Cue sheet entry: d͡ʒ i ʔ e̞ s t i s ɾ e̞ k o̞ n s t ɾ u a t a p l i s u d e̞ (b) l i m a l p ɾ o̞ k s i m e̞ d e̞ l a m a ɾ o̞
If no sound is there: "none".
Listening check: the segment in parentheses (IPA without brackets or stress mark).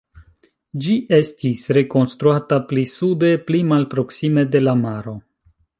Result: p